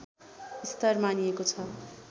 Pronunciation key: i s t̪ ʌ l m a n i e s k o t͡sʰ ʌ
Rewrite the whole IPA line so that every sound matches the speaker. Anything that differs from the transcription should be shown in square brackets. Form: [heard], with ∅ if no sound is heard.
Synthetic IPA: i s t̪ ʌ [r] m a n i e [∅] k o t͡sʰ ʌ